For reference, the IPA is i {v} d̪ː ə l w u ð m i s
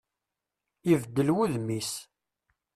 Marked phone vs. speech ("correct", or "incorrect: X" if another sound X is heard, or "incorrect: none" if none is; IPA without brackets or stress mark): correct